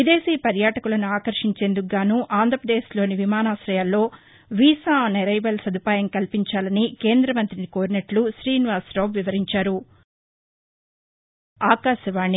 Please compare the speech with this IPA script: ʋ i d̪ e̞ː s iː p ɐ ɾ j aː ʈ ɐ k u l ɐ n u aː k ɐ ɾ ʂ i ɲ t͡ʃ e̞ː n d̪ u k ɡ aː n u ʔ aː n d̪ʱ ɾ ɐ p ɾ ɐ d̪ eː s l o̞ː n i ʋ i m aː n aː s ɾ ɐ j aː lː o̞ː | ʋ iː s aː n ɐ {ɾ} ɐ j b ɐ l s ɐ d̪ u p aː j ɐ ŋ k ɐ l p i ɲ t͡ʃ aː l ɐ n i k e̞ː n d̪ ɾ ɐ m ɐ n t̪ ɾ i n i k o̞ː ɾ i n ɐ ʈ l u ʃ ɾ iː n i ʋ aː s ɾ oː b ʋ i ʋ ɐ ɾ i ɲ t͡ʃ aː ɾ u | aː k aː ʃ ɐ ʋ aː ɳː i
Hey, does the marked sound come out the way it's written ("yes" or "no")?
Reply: yes